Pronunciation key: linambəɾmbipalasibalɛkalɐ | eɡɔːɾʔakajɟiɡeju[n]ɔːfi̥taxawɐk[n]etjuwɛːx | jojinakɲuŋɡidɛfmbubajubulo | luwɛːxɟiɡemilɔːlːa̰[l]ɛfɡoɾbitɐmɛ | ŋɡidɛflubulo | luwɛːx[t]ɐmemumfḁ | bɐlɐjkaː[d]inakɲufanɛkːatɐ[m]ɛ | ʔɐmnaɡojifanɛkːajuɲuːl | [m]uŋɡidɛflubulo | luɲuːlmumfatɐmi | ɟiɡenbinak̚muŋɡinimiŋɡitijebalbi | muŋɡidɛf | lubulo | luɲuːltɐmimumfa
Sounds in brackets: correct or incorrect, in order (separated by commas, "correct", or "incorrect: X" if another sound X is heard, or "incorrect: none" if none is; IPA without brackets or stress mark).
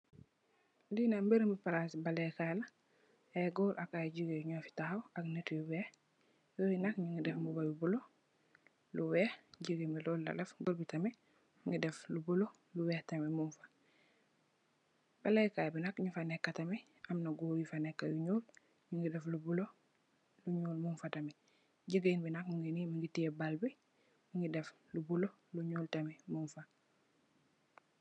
incorrect: ɲ, correct, correct, correct, incorrect: b, correct, incorrect: ɲ